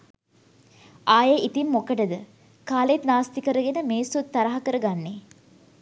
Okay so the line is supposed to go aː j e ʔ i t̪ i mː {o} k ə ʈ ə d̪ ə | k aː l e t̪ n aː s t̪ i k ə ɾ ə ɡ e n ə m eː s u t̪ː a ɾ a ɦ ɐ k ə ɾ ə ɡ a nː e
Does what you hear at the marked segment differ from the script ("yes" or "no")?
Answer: no